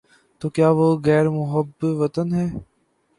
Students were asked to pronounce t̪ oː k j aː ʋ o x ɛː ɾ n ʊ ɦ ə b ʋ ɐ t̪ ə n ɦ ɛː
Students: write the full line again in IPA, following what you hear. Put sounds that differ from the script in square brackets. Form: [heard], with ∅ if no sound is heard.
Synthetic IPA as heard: t̪ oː k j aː ʋ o [ɣ] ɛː ɾ [m] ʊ ɦ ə b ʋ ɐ t̪ ə n ɦ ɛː